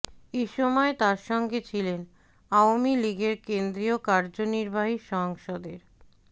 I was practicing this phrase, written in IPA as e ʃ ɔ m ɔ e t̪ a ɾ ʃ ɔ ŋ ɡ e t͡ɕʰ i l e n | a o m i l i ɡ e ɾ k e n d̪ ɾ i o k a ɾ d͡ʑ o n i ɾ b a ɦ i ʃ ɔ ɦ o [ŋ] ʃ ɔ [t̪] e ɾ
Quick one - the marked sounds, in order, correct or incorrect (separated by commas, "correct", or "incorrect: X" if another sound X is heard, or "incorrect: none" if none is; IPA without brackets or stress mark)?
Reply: correct, incorrect: d̪